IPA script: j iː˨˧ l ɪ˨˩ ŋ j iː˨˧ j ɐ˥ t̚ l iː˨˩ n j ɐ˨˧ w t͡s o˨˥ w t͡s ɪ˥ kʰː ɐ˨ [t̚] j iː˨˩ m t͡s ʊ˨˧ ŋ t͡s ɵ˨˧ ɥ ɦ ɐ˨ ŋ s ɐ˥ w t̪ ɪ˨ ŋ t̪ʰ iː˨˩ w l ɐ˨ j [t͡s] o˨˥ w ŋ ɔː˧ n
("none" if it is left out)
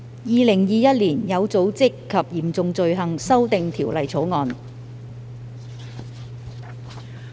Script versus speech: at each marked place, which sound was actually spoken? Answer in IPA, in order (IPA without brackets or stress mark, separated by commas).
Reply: p̚, t͡sʰ